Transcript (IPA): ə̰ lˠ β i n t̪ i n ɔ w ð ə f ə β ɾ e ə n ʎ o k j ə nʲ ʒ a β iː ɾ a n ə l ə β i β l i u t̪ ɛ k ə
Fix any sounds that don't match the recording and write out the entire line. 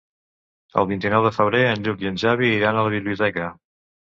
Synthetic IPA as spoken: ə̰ lˠ β i n t̪ i n ɔ w ð ə f ə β ɾ e ə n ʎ u k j ə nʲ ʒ a β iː ɾ a n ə l ə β i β l i u t̪ ɛ k ə